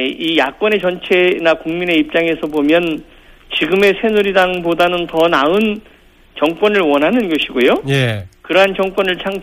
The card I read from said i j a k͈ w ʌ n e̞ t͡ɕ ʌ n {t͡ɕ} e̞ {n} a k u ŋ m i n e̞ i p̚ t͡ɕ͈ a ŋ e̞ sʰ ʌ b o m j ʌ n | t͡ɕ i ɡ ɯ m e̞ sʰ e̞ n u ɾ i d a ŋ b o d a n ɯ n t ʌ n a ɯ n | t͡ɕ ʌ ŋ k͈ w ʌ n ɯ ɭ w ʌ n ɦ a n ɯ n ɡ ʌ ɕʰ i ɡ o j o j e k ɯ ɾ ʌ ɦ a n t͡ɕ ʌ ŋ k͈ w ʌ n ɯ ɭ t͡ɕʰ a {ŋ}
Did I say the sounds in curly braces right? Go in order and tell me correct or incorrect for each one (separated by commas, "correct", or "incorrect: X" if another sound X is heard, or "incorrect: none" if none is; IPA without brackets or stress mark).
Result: incorrect: t͡ɕʰ, correct, correct